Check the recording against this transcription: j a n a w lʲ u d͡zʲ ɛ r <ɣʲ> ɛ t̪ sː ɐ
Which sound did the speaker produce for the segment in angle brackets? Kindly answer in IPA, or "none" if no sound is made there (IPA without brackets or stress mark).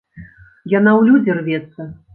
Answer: vʲ